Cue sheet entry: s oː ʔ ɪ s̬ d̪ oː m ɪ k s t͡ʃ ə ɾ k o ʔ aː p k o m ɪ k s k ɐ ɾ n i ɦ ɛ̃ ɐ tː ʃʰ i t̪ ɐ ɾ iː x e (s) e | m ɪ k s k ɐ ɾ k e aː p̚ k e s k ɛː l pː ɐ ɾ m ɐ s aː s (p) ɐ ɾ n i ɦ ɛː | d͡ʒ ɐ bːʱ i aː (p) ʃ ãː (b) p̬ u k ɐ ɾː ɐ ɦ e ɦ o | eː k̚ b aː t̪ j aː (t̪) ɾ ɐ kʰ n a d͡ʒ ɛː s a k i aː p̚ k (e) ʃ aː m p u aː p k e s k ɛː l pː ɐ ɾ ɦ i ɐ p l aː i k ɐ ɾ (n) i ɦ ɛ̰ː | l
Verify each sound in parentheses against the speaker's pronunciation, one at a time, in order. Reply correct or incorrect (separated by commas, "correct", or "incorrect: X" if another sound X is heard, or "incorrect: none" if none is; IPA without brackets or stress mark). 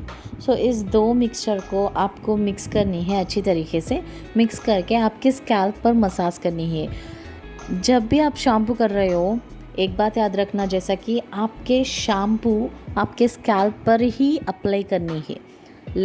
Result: correct, incorrect: k, correct, incorrect: m, incorrect: d̪, correct, correct